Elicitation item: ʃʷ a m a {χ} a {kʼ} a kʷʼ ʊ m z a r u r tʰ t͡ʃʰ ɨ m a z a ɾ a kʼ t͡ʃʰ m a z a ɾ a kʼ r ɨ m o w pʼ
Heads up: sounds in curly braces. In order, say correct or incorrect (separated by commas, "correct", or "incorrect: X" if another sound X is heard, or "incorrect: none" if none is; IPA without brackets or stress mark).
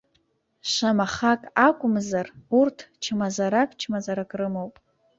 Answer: correct, correct